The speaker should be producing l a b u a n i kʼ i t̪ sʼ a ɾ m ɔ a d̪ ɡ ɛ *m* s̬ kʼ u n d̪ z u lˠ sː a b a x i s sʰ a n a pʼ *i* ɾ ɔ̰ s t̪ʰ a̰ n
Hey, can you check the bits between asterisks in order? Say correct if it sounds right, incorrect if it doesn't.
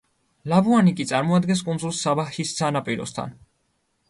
incorrect, correct

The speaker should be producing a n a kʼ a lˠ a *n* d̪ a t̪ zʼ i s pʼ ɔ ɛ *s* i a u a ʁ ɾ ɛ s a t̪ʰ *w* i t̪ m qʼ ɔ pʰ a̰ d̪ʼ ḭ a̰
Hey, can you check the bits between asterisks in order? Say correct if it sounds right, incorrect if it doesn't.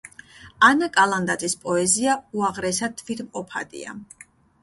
correct, incorrect, incorrect

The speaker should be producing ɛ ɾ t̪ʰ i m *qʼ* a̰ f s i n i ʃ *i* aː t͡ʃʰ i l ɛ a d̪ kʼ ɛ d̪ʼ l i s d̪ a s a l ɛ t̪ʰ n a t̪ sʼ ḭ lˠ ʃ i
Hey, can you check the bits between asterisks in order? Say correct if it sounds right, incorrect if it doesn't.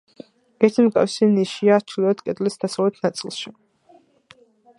incorrect, correct

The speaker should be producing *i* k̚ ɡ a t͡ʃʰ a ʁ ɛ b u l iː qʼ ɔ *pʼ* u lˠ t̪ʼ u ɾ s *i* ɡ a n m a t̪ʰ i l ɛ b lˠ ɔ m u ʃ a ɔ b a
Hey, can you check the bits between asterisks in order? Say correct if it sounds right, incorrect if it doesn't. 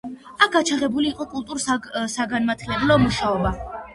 incorrect, incorrect, incorrect

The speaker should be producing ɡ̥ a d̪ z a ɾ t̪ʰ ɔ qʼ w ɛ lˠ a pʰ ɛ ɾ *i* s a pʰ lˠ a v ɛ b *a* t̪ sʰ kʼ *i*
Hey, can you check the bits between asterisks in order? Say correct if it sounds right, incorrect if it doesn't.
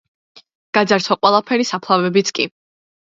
correct, incorrect, correct

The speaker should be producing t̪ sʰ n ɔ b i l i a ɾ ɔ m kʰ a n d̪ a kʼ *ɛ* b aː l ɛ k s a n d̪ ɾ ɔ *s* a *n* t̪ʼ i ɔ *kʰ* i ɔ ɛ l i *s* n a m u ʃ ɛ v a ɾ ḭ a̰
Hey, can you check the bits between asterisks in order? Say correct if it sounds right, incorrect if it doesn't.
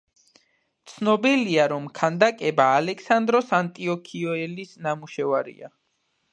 correct, correct, correct, correct, correct

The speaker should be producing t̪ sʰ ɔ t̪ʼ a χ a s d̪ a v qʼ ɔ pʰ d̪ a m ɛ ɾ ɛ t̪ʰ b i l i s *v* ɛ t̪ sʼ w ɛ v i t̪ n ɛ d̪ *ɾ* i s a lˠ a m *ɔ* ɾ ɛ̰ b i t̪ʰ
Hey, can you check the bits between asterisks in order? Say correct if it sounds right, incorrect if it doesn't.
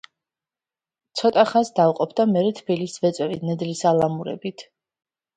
correct, incorrect, incorrect

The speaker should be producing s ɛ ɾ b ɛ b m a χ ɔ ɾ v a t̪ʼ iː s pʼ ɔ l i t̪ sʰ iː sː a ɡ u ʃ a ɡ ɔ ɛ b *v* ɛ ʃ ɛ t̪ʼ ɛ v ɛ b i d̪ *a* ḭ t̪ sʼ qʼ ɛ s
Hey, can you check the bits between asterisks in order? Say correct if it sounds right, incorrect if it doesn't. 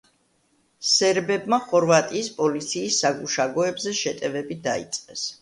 incorrect, correct

